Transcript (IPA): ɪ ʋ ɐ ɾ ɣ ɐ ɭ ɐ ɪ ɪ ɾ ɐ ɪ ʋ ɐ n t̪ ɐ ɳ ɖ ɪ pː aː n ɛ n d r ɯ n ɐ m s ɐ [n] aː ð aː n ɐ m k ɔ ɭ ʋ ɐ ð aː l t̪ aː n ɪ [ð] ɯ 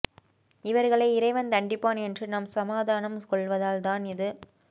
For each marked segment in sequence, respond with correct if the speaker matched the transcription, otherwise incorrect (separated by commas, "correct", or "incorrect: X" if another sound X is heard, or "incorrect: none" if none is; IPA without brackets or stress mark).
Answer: incorrect: m, correct